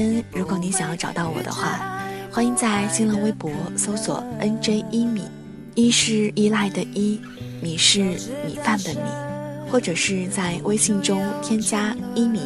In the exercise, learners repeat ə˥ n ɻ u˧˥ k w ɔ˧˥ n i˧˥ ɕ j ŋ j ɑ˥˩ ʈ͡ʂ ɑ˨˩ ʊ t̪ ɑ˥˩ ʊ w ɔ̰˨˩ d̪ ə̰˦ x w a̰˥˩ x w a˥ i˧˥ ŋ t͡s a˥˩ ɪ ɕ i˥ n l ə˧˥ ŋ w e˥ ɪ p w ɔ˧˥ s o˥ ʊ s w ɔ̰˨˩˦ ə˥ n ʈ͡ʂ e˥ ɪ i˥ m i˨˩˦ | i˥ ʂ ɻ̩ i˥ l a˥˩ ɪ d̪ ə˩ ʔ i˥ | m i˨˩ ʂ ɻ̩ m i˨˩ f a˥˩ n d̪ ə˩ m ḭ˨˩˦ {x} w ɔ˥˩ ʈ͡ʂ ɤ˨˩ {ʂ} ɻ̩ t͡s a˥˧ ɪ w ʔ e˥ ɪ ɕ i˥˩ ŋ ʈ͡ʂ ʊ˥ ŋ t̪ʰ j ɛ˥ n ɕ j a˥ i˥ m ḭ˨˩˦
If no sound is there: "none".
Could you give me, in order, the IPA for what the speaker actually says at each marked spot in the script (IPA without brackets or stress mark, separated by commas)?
x, ʂ